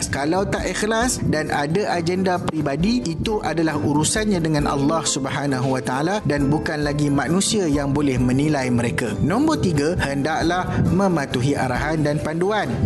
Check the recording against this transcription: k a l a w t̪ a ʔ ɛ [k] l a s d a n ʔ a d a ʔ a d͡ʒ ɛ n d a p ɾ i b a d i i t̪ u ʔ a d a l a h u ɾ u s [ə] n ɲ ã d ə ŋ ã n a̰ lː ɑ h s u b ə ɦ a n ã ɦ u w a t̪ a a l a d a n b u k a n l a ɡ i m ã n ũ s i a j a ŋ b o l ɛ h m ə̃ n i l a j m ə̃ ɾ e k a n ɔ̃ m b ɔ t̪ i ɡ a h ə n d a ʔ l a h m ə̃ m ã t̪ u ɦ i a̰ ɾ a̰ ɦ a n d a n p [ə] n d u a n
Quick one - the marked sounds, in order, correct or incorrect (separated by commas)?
incorrect, incorrect, incorrect